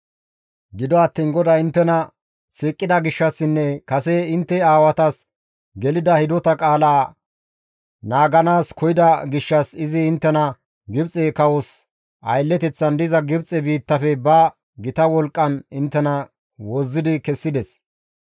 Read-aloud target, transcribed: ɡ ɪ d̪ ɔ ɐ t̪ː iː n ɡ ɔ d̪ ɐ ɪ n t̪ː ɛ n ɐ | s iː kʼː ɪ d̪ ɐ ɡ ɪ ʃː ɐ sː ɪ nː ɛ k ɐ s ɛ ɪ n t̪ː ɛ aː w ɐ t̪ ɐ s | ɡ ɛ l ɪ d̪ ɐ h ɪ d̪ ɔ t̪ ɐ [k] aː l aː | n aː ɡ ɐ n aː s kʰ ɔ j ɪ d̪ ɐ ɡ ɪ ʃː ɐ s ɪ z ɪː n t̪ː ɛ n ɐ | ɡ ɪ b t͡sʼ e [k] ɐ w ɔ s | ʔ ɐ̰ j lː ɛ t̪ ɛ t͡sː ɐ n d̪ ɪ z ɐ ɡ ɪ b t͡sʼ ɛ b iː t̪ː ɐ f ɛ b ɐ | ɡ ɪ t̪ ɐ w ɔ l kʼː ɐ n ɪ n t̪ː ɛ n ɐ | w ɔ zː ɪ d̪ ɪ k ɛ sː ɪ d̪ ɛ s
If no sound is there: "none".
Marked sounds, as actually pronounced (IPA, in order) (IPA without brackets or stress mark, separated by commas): kʼ, k